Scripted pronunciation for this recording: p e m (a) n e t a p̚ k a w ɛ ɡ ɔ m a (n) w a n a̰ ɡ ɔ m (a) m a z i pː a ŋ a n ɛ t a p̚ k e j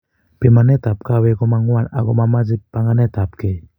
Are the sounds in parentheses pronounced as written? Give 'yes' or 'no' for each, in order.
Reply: yes, no, yes

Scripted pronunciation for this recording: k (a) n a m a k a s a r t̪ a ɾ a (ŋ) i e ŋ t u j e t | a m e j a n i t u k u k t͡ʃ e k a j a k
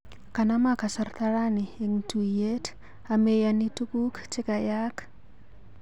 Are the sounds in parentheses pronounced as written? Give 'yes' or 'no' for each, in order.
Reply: yes, no

